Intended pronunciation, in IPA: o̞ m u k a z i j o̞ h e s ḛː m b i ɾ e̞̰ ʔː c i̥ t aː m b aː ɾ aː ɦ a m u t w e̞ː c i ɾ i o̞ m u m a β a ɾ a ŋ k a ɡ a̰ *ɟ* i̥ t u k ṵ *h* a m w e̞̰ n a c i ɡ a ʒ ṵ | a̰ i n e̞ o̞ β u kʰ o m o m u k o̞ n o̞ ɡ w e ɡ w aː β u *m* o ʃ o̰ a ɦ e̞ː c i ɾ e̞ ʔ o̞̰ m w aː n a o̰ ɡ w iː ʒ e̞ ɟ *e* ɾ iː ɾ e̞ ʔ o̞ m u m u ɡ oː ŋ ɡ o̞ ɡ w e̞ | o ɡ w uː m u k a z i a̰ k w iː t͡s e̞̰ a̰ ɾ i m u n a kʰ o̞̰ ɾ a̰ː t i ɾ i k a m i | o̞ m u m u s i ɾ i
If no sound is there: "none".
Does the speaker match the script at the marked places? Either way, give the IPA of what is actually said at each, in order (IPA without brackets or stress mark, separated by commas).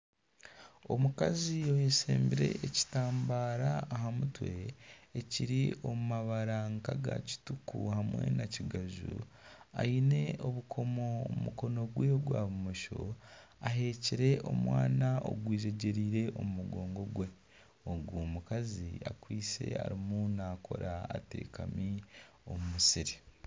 c, h, m, e